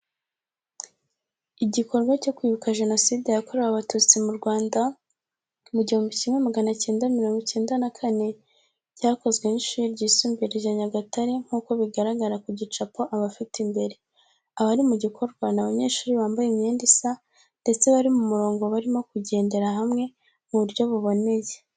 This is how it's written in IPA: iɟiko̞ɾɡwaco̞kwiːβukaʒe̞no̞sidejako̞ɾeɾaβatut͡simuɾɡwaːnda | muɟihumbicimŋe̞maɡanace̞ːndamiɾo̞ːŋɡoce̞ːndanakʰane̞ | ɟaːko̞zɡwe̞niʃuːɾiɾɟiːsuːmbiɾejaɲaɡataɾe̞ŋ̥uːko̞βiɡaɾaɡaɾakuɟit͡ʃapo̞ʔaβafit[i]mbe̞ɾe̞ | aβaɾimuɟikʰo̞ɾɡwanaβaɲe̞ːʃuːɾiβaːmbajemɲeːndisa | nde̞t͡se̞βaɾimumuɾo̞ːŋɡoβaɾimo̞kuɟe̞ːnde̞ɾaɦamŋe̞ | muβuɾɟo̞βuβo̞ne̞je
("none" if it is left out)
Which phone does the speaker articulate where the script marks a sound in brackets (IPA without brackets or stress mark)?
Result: i